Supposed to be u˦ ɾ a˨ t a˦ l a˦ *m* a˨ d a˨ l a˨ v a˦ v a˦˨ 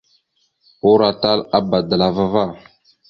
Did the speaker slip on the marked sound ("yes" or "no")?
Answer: yes